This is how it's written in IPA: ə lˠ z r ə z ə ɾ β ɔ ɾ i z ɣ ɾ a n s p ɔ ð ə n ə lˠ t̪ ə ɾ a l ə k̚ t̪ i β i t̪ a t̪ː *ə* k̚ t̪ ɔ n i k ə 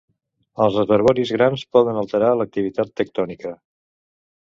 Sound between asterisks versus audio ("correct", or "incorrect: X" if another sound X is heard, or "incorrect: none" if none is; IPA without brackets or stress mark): correct